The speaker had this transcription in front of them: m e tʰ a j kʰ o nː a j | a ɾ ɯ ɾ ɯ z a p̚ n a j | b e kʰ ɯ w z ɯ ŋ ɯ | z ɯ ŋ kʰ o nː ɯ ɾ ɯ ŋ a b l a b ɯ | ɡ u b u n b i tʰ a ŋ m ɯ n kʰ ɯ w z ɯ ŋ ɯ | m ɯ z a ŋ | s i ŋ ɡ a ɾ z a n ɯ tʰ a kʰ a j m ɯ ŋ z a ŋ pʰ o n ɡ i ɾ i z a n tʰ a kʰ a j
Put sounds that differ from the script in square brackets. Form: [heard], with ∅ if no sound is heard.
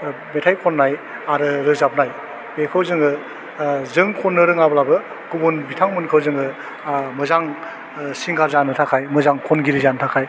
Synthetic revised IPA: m e tʰ a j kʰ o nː a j | a ɾ ɯ ɾ ɯ z a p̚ n a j | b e kʰ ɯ w z ɯ ŋ ɯ | z ɯ ŋ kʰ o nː ɯ ɾ ɯ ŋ a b l a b ɯ | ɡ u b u n b i tʰ a ŋ m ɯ n kʰ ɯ w z ɯ ŋ ɯ | m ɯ z a ŋ | s i ŋ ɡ a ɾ z a n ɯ tʰ a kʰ a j m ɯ [∅] z a ŋ [kʰ] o n ɡ i ɾ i z a n tʰ a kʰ a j